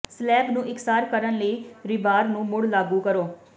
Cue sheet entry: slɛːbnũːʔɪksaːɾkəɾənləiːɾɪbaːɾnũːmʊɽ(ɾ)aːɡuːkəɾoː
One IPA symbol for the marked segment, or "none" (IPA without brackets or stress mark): l